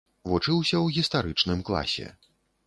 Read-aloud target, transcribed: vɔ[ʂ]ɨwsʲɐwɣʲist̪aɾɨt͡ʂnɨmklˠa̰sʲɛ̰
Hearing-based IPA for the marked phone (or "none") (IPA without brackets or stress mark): t͡ʂ